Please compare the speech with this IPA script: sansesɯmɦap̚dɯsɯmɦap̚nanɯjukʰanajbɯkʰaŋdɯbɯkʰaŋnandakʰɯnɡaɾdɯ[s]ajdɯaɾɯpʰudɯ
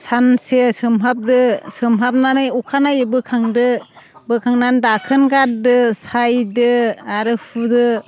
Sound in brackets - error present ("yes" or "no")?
no